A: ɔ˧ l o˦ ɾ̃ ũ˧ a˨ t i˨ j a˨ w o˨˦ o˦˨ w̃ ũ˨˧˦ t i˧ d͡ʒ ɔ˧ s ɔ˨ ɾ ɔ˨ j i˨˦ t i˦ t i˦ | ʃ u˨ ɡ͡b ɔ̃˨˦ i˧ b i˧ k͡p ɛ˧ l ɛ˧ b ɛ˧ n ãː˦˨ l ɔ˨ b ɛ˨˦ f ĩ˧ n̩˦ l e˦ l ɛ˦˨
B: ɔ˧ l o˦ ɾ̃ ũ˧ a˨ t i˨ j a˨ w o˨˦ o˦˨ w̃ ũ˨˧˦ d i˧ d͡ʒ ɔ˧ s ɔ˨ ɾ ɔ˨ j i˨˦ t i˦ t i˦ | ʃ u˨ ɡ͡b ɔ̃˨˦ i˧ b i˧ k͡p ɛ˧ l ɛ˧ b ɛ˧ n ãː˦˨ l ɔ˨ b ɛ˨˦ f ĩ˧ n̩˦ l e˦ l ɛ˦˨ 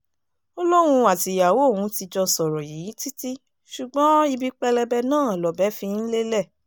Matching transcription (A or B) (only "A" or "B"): A